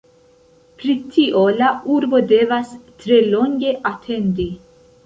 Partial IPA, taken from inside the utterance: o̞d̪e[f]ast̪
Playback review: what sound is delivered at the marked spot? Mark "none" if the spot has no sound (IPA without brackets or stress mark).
v